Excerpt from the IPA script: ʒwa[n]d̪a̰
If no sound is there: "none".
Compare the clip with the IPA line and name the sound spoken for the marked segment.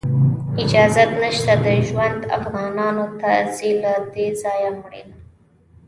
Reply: n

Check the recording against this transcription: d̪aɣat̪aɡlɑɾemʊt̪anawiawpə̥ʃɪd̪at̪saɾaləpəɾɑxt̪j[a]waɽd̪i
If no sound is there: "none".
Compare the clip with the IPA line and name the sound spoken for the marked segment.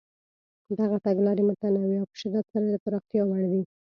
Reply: ɑ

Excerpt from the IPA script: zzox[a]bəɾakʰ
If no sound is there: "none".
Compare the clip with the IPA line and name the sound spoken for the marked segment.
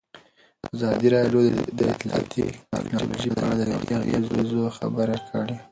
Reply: a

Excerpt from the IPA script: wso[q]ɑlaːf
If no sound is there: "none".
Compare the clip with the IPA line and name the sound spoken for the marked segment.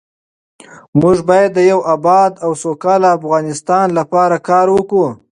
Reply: k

